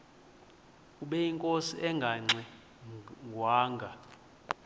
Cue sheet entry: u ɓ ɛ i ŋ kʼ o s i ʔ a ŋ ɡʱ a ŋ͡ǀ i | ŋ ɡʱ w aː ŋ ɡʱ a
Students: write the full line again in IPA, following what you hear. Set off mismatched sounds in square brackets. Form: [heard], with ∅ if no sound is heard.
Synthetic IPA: u ɓ ɛ i ŋ kʼ o s i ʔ [ɛ] ŋ ɡʱ a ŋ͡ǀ [ɛ] | ŋ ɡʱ w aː ŋ ɡʱ a